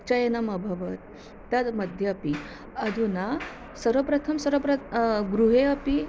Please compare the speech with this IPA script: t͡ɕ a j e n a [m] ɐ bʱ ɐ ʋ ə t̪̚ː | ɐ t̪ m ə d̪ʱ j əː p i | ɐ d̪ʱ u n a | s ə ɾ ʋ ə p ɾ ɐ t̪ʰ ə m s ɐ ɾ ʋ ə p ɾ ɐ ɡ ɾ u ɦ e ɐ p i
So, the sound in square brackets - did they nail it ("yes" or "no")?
yes